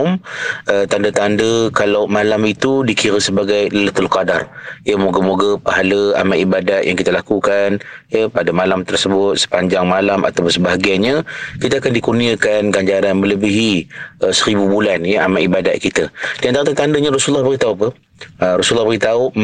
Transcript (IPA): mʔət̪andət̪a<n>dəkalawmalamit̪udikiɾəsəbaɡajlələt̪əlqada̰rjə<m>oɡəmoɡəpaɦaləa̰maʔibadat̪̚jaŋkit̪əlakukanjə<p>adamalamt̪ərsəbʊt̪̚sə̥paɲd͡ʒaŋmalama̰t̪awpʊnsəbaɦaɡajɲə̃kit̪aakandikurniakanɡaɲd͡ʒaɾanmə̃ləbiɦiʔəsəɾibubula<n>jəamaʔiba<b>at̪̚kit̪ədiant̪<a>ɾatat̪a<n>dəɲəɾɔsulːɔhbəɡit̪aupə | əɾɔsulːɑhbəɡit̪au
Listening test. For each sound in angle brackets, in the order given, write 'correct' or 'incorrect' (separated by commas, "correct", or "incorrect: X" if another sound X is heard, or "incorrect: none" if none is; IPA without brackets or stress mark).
correct, correct, correct, correct, incorrect: d, correct, correct